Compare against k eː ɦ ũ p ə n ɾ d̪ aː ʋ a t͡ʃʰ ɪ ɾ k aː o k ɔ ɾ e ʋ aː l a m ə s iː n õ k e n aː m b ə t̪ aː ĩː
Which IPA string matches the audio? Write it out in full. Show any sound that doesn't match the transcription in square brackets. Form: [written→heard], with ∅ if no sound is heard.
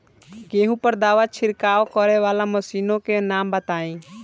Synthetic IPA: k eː ɦ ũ p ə [n→∅] ɾ d̪ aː ʋ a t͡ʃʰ ɪ ɾ k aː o k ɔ ɾ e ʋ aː l a m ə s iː n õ k e n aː m b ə t̪ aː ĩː